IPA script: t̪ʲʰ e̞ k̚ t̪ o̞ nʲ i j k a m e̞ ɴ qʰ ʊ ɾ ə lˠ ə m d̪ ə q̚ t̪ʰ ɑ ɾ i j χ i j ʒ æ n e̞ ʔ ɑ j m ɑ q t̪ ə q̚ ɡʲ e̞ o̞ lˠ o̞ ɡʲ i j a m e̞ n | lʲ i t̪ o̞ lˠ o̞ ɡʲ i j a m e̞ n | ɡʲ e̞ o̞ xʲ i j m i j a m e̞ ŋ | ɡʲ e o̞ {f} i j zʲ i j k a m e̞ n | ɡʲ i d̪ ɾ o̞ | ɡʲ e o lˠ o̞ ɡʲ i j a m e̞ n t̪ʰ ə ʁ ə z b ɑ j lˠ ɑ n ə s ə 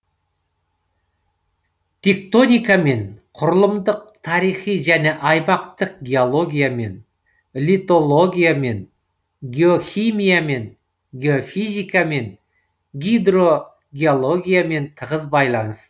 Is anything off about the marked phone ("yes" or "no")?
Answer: no